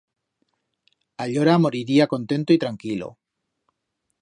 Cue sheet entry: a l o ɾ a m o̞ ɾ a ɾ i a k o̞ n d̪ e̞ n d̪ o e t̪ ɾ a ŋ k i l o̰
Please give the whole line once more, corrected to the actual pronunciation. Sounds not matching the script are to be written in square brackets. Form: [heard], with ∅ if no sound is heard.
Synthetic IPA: a [ʎ] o ɾ a m o̞ ɾ [i] ɾ i a k o̞ n [t̪] e̞ n [t̪] o [i] t̪ ɾ a ŋ k i l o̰